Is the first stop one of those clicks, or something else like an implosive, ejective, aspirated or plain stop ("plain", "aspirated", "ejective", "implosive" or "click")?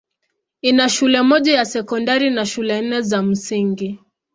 implosive